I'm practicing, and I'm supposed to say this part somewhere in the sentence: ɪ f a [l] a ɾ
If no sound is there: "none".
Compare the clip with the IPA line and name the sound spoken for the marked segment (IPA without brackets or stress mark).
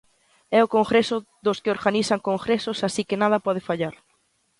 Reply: ʎ